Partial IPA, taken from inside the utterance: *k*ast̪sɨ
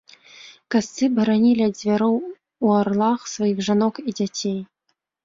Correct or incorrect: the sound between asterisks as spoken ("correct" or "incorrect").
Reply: correct